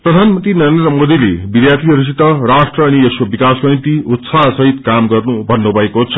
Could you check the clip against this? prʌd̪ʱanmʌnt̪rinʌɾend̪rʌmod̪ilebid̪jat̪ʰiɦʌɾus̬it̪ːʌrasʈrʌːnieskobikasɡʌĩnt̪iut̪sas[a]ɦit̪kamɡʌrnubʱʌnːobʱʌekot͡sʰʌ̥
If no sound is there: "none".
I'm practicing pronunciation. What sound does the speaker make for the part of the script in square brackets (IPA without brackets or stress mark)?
ʌ